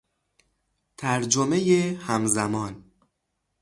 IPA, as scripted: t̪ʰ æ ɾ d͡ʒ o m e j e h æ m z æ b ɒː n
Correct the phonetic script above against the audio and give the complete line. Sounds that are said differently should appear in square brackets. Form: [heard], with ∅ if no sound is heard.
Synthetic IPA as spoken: t̪ʰ æ ɾ d͡ʒ o m e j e h æ m z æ [m] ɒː n